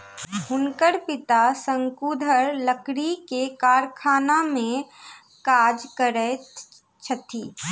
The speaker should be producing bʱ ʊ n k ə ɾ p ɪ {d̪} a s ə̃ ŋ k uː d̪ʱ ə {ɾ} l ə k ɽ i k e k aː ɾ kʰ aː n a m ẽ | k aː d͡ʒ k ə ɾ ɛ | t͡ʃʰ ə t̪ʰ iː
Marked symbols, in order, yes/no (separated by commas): no, yes